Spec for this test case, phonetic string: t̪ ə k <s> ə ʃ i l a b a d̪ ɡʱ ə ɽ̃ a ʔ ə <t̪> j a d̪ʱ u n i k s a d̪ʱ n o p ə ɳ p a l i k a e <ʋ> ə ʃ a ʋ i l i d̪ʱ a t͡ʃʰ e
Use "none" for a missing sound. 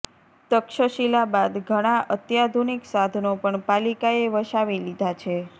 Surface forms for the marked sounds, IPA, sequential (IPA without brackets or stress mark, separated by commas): ʃ, t̪, ʋ